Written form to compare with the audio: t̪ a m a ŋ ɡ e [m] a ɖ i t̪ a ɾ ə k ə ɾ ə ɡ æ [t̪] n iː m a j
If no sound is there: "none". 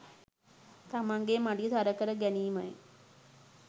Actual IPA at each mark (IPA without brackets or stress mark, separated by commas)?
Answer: m, none